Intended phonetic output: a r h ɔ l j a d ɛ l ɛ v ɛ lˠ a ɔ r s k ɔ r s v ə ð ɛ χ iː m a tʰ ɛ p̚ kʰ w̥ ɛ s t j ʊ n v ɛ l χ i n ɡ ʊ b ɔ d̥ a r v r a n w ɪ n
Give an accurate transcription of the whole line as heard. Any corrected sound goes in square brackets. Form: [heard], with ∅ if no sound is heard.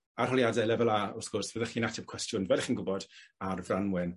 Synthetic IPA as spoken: a r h ɔ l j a d ɛ l ɛ v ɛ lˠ a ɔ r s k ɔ r s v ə ð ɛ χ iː [n] a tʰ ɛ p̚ kʰ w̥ ɛ s t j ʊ n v ɛ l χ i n ɡ ʊ b ɔ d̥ a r v r a n w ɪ n